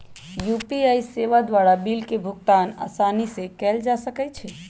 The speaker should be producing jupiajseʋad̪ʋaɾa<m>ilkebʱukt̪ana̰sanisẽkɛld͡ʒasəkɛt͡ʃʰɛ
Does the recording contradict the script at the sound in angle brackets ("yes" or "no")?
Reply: yes